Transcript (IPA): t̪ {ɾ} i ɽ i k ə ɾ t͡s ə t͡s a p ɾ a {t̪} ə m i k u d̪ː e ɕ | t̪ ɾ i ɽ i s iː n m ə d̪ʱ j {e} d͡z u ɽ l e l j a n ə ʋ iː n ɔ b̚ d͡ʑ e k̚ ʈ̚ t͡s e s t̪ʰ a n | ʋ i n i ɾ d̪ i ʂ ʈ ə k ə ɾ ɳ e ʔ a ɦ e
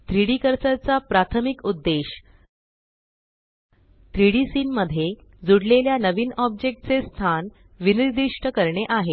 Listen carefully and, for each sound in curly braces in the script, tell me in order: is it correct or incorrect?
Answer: correct, incorrect: t̪ʰ, correct

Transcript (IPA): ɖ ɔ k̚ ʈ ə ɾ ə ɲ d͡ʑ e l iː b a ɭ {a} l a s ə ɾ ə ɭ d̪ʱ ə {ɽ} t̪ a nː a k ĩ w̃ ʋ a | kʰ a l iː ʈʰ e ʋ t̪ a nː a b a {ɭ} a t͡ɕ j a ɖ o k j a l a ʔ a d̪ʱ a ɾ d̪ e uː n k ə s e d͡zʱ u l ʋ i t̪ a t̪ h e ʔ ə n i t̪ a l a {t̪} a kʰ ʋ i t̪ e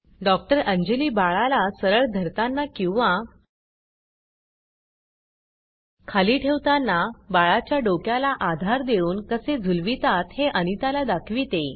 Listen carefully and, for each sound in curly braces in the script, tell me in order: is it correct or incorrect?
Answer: correct, incorrect: ɾ, correct, incorrect: d̪

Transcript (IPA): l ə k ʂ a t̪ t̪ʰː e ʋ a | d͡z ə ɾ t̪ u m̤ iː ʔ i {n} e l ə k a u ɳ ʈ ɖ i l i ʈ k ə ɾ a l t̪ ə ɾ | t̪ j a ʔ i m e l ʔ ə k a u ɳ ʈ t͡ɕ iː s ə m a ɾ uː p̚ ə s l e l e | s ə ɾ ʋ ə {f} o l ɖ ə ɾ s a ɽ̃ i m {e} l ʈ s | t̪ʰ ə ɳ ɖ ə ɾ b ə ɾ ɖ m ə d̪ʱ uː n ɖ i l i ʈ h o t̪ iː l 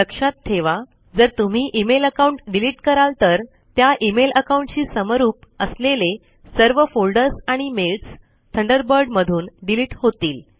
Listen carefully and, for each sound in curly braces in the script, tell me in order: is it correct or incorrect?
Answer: incorrect: m, correct, correct

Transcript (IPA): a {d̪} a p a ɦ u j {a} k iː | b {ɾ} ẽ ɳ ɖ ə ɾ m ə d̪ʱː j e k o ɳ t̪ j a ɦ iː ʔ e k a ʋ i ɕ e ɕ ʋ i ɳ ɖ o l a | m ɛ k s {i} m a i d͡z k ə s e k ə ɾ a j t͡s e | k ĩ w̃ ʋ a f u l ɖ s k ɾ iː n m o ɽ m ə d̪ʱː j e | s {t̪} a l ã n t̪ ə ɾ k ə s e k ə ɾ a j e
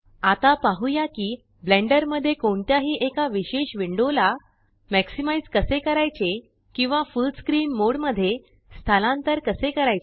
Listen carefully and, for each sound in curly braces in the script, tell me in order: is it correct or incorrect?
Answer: incorrect: t̪, correct, incorrect: l, correct, incorrect: t̪ʰ

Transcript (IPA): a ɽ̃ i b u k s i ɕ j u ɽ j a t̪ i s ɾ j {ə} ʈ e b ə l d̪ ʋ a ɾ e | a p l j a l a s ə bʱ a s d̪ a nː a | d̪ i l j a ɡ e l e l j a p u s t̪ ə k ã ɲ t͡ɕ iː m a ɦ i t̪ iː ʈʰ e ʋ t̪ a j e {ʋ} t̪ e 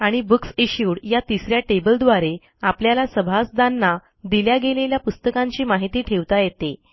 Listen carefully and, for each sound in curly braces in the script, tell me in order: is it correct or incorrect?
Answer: incorrect: a, incorrect: none

